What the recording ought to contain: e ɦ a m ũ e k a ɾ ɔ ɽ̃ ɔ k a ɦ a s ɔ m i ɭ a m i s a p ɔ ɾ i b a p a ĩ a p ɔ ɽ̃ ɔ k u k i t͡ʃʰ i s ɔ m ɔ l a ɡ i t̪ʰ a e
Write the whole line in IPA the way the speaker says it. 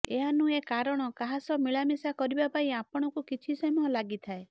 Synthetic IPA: e ɦ a n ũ e k a ɾ ɔ ɽ̃ ɔ k a ɦ a s ɔ m i ɭ a m i s a k ɔ ɾ i b a p a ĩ a p ɔ ɽ̃ ɔ k u k i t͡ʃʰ i s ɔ m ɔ l a ɡ i t̪ʰ a e